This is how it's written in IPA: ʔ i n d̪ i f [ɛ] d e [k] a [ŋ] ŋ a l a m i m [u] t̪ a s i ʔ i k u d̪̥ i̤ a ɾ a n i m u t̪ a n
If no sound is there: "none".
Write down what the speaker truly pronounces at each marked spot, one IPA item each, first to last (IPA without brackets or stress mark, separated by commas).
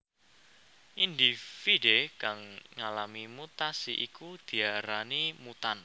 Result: i, k, ŋ, u